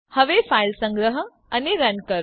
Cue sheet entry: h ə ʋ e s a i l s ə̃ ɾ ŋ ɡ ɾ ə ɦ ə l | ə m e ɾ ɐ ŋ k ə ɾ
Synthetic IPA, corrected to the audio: h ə ʋ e f a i l s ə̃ ŋ ɡ ɾ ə ɦ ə | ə n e ɾ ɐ n k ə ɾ